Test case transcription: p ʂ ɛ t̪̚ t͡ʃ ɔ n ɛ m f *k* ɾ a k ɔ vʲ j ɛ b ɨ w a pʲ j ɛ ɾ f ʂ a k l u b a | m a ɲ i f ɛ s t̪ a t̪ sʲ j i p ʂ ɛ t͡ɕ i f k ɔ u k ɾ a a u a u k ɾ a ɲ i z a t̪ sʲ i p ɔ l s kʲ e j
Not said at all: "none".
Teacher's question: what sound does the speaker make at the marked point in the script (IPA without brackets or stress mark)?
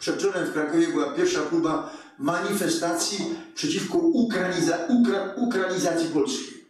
k